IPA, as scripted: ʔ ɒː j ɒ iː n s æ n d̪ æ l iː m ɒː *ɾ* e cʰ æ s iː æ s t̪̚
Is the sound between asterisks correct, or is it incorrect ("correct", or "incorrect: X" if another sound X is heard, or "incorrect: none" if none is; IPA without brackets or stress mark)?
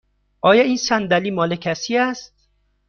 incorrect: l